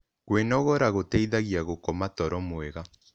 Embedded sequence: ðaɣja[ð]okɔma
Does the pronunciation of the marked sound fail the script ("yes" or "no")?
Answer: yes